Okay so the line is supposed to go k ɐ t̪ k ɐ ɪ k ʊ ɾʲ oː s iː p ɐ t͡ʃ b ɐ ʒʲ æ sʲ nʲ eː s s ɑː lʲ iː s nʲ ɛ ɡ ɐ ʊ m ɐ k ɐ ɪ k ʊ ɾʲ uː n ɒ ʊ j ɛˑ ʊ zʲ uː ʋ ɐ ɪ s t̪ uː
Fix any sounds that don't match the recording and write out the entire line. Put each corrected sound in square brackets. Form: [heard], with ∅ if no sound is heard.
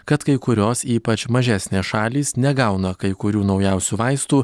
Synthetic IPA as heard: k ɐ t̪ k ɐ ɪ k ʊ ɾʲ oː s iː p ɐ t͡ʃ [m] ɐ ʒʲ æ sʲ nʲ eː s [ʃ] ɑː lʲ iː s nʲ ɛ ɡ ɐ ʊ [n] ɐ k ɐ ɪ k ʊ ɾʲ uː n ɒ ʊ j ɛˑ ʊ [sʲ] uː ʋ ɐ ɪ s t̪ uː